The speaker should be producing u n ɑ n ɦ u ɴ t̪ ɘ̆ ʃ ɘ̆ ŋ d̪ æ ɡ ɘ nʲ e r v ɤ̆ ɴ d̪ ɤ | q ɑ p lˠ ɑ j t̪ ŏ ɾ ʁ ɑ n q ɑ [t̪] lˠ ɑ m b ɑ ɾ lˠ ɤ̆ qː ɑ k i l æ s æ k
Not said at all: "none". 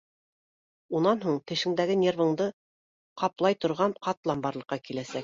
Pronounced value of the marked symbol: t̪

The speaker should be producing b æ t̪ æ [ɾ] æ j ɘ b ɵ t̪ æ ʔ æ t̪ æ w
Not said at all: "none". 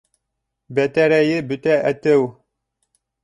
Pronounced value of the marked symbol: ɾ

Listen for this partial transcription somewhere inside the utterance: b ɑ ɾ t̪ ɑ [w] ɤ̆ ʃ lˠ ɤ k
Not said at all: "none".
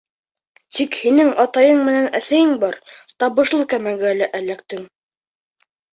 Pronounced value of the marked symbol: β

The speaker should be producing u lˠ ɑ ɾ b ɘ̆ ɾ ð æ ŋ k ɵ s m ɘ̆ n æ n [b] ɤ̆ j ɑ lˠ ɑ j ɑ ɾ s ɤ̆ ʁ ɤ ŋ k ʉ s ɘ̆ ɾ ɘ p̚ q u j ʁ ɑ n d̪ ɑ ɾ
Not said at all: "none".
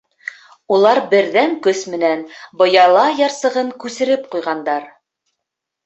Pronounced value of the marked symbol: b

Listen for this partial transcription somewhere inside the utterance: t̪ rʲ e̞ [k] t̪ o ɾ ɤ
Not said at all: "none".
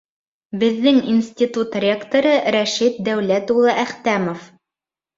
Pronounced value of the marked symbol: k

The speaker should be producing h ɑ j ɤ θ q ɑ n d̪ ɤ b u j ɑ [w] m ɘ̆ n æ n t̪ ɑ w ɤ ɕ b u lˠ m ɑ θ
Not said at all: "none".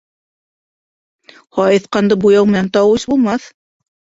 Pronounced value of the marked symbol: w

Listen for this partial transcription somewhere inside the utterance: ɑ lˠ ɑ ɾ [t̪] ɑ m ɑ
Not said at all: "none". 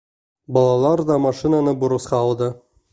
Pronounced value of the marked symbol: d̪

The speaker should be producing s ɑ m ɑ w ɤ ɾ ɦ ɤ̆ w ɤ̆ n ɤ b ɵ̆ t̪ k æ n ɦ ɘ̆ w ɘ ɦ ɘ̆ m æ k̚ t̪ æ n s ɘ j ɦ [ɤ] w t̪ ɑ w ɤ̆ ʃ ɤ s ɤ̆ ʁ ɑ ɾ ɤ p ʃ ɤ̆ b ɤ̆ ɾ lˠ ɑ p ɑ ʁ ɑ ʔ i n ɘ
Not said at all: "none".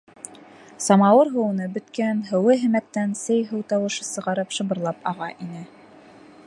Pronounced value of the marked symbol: ɤ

